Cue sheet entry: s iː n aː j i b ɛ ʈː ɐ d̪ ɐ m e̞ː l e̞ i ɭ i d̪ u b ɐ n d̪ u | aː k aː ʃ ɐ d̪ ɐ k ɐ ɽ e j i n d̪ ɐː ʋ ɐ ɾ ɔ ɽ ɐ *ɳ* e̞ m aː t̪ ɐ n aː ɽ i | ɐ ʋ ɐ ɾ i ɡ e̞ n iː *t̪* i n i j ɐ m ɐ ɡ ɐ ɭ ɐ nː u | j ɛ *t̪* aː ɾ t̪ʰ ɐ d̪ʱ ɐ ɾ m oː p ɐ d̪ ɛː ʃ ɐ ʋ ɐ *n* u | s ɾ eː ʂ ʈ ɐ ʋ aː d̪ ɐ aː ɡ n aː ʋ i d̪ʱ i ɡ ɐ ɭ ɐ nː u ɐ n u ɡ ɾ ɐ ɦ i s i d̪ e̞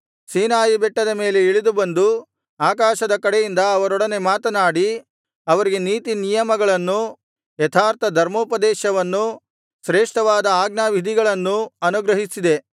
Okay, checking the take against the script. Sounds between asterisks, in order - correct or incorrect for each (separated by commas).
incorrect, correct, incorrect, incorrect